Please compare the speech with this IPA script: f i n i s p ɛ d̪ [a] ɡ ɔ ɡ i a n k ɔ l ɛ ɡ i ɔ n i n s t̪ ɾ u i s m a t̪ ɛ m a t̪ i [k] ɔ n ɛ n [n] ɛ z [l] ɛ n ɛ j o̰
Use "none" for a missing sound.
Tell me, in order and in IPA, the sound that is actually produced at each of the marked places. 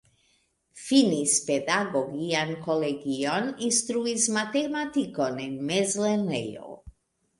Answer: a, k, m, l

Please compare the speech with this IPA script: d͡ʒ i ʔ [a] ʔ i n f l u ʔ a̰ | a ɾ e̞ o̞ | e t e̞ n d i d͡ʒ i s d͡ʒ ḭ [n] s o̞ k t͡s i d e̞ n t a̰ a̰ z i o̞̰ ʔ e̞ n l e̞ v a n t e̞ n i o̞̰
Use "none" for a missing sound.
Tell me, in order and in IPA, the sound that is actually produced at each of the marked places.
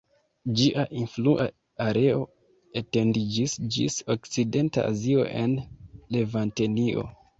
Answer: a, none

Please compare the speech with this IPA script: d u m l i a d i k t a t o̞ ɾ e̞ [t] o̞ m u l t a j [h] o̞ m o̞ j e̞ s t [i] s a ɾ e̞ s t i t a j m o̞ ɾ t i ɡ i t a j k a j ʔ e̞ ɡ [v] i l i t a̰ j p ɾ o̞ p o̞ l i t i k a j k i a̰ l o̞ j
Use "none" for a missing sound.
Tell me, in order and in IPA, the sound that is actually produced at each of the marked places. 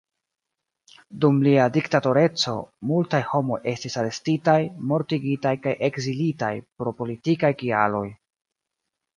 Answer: t͡s, h, i, z

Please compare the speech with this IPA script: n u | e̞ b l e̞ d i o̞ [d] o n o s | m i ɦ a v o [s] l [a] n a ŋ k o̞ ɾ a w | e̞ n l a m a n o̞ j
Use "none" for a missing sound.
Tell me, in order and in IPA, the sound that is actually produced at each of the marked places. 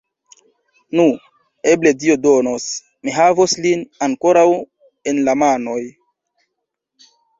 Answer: d, s, i

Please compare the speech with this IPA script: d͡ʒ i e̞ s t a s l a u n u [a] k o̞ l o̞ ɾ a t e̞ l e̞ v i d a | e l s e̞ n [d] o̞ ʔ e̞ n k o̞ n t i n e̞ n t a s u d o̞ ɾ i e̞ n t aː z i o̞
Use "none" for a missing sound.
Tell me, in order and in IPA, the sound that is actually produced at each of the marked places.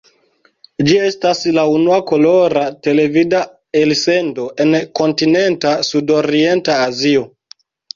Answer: a, d

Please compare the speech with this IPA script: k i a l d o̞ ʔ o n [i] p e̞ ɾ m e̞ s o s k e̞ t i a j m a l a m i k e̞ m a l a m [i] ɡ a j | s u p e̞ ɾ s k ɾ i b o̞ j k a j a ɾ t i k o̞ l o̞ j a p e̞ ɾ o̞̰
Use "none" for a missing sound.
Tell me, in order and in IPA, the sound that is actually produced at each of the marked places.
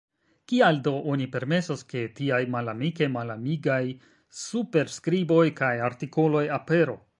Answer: i, i

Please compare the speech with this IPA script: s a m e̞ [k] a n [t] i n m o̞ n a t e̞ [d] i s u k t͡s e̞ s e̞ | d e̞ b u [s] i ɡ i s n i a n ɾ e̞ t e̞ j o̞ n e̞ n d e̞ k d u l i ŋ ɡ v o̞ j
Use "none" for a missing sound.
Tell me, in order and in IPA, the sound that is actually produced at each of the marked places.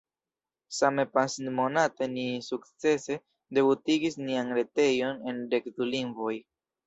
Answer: p, s, n, t

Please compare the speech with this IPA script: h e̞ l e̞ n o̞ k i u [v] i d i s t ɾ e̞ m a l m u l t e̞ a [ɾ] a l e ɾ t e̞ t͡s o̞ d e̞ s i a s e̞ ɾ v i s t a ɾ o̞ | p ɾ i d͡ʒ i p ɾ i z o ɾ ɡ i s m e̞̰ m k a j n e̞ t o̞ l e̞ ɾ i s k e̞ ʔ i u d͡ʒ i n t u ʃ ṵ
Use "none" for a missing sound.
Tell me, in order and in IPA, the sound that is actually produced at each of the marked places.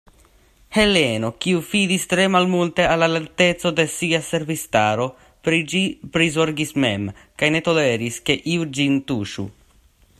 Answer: f, l

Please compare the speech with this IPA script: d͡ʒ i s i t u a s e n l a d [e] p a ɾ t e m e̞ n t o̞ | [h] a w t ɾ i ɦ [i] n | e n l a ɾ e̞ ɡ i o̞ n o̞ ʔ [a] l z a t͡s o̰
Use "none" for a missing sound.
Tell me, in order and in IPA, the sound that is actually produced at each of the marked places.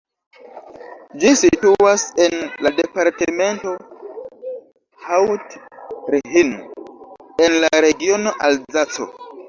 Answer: e, h, i, a

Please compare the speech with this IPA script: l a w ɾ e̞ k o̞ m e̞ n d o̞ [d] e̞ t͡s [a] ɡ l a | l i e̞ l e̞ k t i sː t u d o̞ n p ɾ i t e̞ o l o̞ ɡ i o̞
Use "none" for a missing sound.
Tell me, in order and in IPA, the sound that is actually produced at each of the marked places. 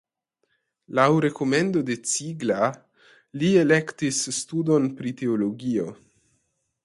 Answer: d, i

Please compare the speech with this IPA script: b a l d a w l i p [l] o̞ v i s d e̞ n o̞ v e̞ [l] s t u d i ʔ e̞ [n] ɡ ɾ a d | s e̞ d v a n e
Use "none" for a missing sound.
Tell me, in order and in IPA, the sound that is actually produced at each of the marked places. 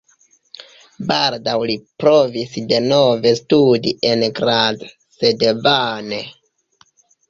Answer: ɾ, none, n

